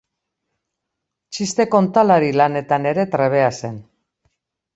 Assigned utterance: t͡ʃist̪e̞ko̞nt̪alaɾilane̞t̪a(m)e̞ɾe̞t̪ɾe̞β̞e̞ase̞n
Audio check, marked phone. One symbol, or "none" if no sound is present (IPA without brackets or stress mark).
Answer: n